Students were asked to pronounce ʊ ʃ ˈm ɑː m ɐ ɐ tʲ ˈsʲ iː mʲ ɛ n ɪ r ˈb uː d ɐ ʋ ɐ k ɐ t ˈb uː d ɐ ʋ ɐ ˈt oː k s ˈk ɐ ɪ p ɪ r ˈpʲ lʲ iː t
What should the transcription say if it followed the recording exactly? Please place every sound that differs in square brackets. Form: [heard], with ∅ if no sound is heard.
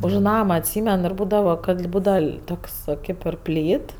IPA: ʊ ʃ [ˈn] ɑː m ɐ ɐ tʲ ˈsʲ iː mʲ ɛ n ɪ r ˈb uː d ɐ ʋ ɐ k ɐ t ˈb uː d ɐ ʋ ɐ ˈt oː k s ˈk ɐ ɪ p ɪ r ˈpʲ lʲ iː t

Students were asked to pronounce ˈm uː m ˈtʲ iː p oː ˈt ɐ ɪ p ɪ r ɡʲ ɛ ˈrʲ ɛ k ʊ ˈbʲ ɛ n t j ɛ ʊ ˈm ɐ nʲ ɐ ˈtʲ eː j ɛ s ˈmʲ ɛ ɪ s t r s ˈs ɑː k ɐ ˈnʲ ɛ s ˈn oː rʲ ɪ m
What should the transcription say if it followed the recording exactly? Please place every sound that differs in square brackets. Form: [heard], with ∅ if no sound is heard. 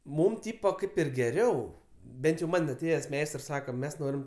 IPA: ˈm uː m ˈtʲ iː p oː [ˈk] ɐ ɪ p ɪ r ɡʲ ɛ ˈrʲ ɛ [∅] ʊ ˈbʲ ɛ n t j ɛ ʊ ˈm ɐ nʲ ɐ ˈtʲ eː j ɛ s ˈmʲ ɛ ɪ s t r s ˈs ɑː k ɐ [ˈmʲ] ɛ s ˈn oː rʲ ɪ m

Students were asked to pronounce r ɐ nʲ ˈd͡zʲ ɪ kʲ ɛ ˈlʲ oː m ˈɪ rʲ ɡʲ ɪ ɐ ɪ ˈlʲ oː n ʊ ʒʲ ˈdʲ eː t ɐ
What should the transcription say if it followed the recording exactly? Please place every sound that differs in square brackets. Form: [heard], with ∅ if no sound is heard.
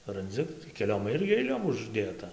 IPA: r ɐ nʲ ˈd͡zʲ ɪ kʲ ɛ ˈlʲ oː m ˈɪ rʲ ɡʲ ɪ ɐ ɪ ˈlʲ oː [m] ʊ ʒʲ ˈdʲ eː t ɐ

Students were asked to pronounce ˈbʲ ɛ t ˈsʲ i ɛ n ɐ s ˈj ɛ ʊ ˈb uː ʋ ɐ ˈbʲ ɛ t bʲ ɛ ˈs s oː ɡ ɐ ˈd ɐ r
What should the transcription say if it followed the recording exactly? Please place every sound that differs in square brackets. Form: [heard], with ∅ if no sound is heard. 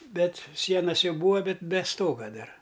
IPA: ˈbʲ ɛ t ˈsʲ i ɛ n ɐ s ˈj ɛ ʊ ˈb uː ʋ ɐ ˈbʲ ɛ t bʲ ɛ ˈs [t] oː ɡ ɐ ˈd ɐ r

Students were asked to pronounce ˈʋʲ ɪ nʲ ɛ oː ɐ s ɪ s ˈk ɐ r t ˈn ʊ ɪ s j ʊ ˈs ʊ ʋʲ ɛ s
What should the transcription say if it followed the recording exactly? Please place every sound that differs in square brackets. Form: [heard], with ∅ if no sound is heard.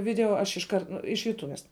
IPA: ˈʋʲ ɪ [dʲ] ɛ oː ɐ [ʃ] ɪ [ʃ] ˈk ɐ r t ˈn ʊ ɪ [ʃ] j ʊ [ˈt] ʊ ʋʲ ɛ s

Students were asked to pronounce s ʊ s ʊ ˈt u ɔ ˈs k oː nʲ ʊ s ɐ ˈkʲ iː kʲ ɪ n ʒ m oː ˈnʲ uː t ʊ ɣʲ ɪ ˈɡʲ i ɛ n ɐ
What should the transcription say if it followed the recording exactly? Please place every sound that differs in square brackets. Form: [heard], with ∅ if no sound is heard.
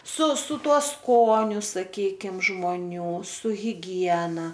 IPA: s ʊ s ʊ ˈt u ɔ ˈs k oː nʲ ʊ s ɐ ˈkʲ iː kʲ ɪ [m] ʒ m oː ˈnʲ uː [s] ʊ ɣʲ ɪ ˈɡʲ i ɛ n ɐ

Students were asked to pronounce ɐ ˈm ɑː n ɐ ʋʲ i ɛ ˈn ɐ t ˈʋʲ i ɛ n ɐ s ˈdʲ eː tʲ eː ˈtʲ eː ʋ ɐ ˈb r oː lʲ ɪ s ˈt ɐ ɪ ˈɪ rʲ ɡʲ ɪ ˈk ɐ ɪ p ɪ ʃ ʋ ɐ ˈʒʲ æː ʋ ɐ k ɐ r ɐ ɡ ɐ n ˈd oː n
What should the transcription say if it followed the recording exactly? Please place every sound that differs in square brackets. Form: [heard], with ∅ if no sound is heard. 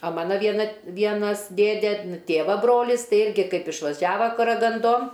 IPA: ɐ ˈm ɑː n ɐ ʋʲ i ɛ ˈn ɐ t ˈʋʲ i ɛ n ɐ s ˈdʲ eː [dʲ] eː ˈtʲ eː ʋ ɐ ˈb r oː lʲ ɪ s ˈt ɐ ɪ ˈɪ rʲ ɡʲ ɪ ˈk ɐ ɪ p ɪ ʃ ʋ ɐ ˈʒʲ æː ʋ ɐ k ɐ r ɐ ɡ ɐ n ˈd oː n

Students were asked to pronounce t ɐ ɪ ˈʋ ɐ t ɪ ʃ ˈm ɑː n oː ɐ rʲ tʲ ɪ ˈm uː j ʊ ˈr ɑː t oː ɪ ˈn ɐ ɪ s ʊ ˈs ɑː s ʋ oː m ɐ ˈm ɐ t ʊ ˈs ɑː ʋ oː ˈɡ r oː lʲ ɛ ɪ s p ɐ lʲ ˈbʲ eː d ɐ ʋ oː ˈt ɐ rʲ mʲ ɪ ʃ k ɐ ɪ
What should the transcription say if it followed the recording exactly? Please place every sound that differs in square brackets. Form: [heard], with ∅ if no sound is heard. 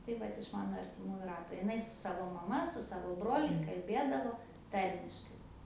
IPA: t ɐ ɪ ˈʋ ɐ t ɪ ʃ ˈm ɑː n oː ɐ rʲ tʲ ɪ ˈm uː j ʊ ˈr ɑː t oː ɪ ˈn ɐ ɪ s ʊ ˈs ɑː [∅] ʋ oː m ɐ ˈm ɐ [s] ʊ ˈs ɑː ʋ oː [ˈb] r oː lʲ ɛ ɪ s [k] ɐ lʲ ˈbʲ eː d ɐ ʋ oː ˈt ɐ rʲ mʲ ɪ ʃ k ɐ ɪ

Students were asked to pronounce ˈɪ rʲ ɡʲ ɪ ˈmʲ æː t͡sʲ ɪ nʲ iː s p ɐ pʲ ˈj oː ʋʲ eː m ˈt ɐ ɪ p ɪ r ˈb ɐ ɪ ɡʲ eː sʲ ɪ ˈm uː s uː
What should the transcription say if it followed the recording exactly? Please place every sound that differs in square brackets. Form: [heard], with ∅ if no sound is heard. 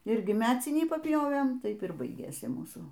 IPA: ˈɪ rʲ ɡʲ ɪ ˈmʲ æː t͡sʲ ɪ nʲ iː [∅] p ɐ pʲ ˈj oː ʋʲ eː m ˈt ɐ ɪ p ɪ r ˈb ɐ ɪ ɡʲ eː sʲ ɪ ˈm uː s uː

